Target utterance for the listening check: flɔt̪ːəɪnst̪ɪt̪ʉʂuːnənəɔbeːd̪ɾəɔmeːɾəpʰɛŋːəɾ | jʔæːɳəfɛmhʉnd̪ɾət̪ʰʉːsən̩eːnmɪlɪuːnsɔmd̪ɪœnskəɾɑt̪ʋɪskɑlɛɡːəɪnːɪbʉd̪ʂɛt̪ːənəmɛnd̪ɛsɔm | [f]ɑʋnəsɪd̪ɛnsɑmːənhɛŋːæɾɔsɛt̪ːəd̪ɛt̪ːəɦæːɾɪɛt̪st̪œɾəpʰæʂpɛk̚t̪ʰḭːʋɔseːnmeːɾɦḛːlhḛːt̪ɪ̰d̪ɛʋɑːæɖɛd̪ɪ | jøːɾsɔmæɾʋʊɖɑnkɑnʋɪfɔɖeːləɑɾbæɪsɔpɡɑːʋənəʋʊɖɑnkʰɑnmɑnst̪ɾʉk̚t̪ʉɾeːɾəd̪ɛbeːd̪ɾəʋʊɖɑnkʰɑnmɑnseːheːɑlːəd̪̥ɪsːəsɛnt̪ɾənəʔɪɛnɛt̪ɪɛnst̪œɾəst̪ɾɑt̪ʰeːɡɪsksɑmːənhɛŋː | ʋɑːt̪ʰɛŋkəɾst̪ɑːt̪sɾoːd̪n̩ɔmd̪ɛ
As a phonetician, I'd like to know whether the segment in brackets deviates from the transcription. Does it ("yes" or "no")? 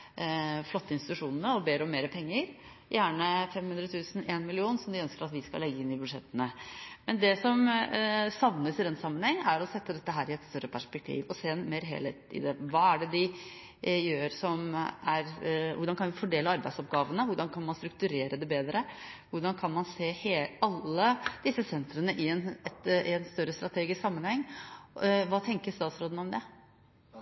yes